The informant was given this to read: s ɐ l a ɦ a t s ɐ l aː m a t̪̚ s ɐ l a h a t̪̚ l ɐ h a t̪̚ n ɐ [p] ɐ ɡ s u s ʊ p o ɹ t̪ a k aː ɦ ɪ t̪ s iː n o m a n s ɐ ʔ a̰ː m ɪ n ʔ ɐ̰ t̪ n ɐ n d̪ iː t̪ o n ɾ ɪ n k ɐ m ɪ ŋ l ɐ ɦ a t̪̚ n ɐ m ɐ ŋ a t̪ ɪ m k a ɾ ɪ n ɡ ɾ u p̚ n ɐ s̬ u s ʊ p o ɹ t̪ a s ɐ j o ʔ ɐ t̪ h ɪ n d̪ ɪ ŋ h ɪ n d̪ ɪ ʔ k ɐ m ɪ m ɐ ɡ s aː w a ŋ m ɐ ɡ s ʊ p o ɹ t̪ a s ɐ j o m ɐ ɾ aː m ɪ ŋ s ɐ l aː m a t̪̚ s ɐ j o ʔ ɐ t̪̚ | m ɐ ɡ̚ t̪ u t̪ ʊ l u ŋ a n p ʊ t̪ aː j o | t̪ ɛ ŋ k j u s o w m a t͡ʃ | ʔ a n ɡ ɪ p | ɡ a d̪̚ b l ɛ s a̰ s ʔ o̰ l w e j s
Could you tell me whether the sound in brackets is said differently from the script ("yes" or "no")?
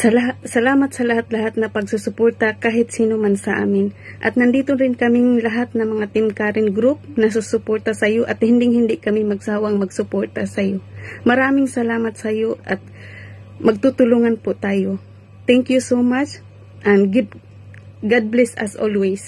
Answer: no